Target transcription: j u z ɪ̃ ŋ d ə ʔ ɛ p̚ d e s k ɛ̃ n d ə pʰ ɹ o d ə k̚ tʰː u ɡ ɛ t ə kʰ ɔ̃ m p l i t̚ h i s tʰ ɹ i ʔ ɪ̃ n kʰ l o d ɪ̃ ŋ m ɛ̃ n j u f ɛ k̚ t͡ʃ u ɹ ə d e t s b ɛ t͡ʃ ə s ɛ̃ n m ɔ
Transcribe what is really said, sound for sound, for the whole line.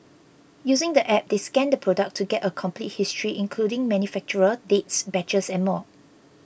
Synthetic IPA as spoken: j u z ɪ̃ ŋ d ə ʔ ɛ p̚ d e s k ɛ̃ n d ə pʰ ɹ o d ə k̚ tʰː u ɡ ɛ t ə kʰ ɔ̃ m p l i t̚ h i s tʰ ɹ i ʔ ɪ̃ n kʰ l u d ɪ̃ ŋ m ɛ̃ n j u f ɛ k̚ t͡ʃ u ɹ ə d e t s b ɛ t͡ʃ ə s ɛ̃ n m ɔ

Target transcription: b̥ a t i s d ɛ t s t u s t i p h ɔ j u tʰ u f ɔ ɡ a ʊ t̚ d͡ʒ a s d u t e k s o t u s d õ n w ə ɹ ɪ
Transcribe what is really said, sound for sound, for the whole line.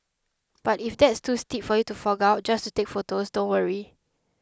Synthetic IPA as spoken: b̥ a t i f d ɛ t s t u s t i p f ɔ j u t u f ɔ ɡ a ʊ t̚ d͡ʒ a s t u t e k f o t o s d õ n w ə ɹ i

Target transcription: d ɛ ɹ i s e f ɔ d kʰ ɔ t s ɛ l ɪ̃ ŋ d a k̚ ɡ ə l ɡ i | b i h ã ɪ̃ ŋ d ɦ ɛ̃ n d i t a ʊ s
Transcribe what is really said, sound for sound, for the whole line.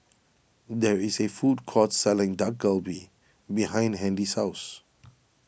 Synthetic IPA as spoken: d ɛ ɹ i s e f u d kʰ ɔ t s ɛ l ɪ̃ ŋ d a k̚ ɡ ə l b i | b i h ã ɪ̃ n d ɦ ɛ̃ n d i s a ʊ s

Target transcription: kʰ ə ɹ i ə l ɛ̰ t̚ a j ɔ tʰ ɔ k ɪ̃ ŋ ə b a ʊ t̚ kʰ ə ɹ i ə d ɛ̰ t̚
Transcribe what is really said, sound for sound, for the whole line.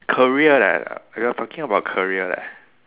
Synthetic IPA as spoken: kʰ ə ɹ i ə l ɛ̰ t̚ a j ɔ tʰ ɔ k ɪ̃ ŋ ə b a ʊ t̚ kʰ ə ɹ i ə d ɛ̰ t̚

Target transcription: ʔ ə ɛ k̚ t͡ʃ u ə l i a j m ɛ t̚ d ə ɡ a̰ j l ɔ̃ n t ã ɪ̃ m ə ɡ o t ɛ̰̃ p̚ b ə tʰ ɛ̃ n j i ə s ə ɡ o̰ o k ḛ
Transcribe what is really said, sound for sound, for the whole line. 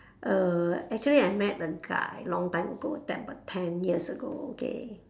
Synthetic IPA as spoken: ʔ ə ɛ k̚ t͡ʃ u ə l i a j m ɛ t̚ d ə ɡ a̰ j l ɔ̃ ŋ t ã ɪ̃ m ə ɡ o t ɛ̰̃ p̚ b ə tʰ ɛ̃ n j i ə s ə ɡ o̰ o k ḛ

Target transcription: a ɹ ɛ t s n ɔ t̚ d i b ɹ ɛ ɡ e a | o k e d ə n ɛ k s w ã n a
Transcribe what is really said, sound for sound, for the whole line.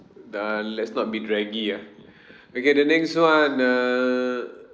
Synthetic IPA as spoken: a l ɛ t s n ɔ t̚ b i d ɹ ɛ ɡ i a | o k e d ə n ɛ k s w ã n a

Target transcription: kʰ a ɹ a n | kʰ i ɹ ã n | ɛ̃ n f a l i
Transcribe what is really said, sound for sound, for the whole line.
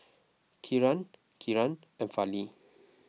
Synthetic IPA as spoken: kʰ i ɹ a n | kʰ i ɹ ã n | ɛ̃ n f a l i

